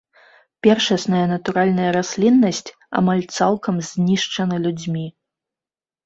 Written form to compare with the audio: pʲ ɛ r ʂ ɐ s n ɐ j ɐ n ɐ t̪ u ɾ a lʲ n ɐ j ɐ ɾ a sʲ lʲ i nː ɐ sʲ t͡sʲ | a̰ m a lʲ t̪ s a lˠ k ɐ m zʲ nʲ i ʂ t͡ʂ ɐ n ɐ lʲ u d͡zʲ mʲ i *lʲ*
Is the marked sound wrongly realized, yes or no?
yes